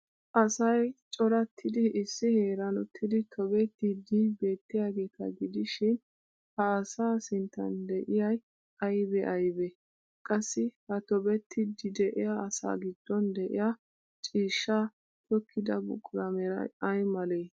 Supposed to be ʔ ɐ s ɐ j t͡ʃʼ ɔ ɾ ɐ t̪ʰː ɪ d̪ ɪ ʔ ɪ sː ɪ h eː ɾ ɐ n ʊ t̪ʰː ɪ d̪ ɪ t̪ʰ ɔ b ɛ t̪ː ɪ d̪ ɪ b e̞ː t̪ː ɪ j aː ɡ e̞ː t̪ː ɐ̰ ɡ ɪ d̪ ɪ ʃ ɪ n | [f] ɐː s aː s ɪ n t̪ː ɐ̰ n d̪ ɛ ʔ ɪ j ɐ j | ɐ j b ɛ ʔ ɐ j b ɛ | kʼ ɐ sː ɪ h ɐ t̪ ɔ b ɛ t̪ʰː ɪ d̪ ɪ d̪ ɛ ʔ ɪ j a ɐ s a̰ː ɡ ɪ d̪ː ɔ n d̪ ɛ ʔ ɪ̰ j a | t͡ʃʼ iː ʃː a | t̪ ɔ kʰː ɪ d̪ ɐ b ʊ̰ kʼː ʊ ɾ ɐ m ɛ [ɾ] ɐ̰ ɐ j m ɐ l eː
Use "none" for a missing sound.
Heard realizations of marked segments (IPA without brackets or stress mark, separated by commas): h, ɾ